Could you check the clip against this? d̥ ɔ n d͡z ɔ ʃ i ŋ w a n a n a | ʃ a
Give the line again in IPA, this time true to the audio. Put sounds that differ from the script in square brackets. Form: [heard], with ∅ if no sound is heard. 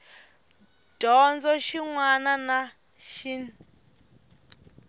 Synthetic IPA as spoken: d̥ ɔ n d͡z ɔ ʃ i ŋ w a n a n a | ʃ [i]